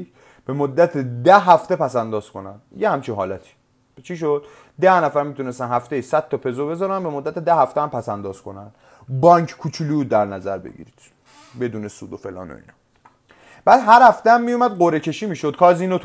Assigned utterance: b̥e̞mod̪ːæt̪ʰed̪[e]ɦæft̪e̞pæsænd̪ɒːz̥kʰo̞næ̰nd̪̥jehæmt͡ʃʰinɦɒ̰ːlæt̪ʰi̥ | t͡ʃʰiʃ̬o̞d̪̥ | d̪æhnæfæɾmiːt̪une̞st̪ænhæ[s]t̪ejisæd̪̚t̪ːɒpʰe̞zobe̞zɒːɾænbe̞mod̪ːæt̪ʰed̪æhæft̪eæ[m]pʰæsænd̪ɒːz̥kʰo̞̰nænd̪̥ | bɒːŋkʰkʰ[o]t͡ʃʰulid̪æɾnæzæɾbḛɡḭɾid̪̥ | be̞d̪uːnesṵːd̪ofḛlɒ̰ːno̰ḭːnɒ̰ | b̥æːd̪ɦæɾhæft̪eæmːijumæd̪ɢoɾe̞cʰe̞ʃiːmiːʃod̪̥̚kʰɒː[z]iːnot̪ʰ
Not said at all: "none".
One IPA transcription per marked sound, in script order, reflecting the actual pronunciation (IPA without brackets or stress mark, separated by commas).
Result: æ, f, m, u, z